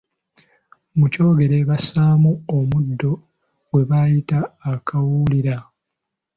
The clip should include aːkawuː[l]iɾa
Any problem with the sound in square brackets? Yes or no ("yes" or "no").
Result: no